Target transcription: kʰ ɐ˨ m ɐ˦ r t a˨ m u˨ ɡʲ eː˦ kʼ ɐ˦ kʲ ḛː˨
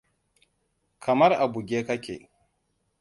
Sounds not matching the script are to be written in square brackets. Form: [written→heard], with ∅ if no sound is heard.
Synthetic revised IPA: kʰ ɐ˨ m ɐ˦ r [t→ʔ] a˨ [m→b] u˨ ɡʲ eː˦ [kʼ→k] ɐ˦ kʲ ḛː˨